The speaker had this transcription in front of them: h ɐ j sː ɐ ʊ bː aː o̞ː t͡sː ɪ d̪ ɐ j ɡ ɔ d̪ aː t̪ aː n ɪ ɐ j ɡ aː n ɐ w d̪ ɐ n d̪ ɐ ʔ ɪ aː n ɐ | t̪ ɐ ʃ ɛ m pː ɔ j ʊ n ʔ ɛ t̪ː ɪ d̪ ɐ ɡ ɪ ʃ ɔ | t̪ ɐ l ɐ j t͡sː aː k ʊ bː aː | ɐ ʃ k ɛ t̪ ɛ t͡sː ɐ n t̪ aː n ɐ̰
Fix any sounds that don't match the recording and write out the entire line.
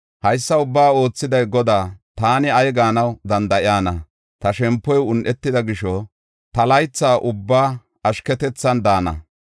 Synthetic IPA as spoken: h ɐ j sː ɐ ʊ bː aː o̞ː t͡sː ɪ d̪ ɐ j ɡ ɔ d̪ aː t̪ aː n ɪ ɐ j ɡ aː n ɐ w d̪ ɐ n d̪ ɐ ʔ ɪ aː n ɐ | t̪ ɐ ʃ ɛ m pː ɔ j ʊ n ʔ ɛ t̪ː ɪ d̪ ɐ ɡ ɪ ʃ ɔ | t̪ ɐ l ɐ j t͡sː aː ʔ ʊ bː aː | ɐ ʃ k ɛ t̪ ɛ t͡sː ɐ n d̪ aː n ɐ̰